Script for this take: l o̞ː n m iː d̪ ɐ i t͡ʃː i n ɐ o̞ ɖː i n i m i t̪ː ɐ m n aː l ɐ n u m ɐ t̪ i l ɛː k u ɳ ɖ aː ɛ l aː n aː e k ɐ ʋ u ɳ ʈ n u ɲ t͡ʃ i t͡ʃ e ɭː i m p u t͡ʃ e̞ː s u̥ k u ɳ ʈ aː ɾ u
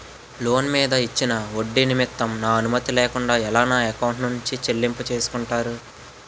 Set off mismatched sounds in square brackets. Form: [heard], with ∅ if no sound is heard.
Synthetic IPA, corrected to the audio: l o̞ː n m iː d̪ ɐ i t͡ʃː i n ɐ o̞ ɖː i n i m i t̪ː ɐ m n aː [∅] ɐ n u m ɐ t̪ i l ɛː k u ɳ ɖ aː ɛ l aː n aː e k ɐ [w] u ɳ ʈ n u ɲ t͡ʃ i t͡ʃ e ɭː i m p u t͡ʃ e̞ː s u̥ k u ɳ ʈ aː ɾ u